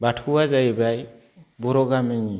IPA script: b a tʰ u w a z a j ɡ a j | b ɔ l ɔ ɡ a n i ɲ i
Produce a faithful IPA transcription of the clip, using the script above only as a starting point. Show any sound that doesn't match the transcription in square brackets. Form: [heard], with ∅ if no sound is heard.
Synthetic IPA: b a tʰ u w a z a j [b] a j | b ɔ [ɾ] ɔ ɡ a [m] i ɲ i